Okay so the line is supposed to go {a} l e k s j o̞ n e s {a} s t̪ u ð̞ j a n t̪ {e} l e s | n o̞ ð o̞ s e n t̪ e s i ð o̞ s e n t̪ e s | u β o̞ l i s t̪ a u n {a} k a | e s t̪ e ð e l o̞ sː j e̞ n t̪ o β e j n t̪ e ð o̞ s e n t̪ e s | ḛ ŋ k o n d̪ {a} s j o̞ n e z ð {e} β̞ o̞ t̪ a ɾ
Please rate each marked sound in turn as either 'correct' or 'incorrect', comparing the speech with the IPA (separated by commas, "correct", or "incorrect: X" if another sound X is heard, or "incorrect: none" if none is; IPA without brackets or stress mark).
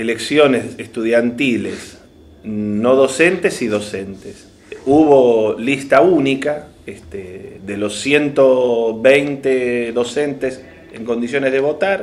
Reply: incorrect: e, incorrect: e, incorrect: i, incorrect: i, incorrect: i, correct